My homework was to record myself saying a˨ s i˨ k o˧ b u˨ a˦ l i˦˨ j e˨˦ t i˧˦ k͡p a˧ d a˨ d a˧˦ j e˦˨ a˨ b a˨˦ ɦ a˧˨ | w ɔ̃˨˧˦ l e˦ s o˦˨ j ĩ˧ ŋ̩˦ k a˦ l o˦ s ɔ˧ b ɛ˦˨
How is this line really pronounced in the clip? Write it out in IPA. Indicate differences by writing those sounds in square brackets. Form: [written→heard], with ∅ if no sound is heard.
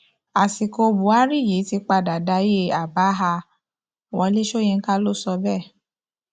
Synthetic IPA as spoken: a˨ s i˨ k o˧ b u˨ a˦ [l→ɾ] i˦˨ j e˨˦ t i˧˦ k͡p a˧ d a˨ d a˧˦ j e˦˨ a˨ b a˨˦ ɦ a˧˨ | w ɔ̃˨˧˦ l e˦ [s→ʃ] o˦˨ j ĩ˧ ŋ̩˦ k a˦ l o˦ s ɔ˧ b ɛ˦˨